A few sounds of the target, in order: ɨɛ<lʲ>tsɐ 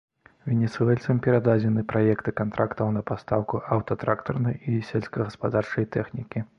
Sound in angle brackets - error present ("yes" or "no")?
no